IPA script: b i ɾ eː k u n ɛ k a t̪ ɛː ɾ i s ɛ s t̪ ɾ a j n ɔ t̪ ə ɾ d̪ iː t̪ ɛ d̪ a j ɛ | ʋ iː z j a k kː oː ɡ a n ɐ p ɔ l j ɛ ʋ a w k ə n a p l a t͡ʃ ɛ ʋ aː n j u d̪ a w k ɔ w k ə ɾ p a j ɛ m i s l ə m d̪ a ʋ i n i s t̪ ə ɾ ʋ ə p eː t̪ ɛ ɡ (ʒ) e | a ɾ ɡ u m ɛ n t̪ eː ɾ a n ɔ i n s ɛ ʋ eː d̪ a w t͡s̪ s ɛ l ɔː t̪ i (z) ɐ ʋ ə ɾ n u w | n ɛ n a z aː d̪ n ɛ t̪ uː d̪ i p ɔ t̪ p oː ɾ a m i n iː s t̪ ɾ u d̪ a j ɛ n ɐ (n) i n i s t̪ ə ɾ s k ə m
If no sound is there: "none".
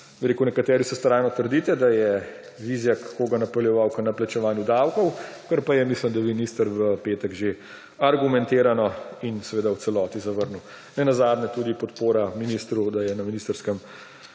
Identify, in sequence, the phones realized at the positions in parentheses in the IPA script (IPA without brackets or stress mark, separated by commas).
ʒ, z, m